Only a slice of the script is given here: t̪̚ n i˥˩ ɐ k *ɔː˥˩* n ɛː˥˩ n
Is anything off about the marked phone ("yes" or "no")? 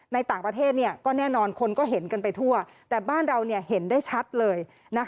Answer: no